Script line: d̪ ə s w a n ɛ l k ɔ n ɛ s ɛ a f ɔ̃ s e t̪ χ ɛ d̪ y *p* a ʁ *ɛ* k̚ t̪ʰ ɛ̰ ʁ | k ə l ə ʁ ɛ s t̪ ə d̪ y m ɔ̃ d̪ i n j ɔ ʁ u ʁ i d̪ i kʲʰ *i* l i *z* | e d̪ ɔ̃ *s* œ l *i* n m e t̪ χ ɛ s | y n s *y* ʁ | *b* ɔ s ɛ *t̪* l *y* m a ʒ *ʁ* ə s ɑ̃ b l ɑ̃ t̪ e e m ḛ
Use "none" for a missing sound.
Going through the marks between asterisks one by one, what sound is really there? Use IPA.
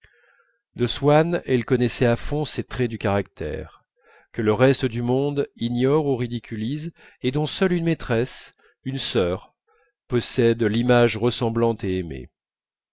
k, a, y, z, s, y, œ, p, d̪, i, ʁ

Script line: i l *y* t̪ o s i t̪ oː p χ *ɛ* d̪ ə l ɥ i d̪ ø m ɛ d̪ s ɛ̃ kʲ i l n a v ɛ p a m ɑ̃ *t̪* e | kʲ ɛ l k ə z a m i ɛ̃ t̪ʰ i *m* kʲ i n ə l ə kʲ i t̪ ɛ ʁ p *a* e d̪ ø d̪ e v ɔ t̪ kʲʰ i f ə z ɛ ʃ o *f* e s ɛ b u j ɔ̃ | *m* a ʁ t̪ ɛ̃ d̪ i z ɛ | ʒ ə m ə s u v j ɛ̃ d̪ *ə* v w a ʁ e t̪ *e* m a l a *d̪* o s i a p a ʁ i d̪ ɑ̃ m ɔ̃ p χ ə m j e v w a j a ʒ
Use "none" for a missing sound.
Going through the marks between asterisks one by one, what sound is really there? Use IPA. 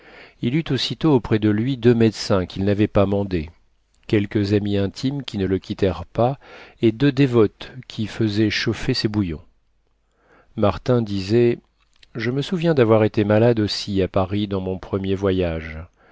y, ɛ, d̪, m, a, f, m, a, e, d̪

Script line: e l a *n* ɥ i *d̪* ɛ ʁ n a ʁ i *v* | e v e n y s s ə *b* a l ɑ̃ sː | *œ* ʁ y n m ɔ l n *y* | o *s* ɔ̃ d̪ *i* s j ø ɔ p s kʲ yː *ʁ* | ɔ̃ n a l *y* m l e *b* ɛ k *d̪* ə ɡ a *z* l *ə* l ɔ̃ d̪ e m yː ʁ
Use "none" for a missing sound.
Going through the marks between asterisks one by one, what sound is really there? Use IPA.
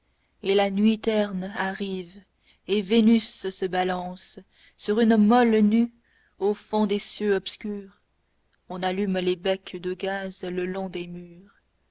n, t̪, v, b, y, y, f, e, ʁ, y, b, d̪, z, ə

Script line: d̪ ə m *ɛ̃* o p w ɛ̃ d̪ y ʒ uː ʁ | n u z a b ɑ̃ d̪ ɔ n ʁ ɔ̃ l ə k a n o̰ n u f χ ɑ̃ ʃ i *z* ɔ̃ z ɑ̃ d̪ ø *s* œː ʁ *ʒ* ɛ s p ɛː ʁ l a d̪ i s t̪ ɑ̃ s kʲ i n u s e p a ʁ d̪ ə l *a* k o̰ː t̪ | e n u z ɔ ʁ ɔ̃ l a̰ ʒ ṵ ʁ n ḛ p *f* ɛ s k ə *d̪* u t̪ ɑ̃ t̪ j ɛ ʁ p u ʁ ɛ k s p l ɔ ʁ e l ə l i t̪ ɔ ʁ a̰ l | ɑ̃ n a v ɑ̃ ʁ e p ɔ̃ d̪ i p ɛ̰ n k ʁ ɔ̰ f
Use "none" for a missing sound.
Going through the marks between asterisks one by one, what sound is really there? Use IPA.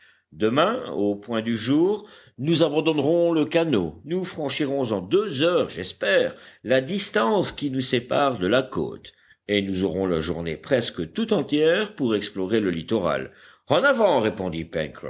ɛ̃, ʁ, z, ʒ, a, χ, t̪

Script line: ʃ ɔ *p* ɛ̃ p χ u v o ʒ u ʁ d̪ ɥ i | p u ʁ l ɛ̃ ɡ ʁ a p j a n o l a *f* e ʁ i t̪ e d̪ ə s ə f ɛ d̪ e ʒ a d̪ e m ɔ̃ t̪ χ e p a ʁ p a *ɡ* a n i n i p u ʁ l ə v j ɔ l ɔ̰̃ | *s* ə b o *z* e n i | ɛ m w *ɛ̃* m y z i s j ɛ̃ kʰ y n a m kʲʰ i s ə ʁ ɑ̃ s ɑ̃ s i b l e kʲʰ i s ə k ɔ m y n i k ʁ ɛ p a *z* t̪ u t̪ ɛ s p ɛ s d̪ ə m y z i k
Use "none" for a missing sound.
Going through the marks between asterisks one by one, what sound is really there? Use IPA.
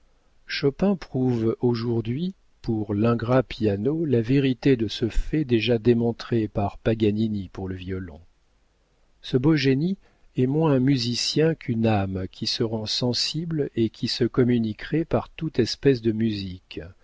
p, v, ɡ, s, ʒ, ɛ̃, ʁ

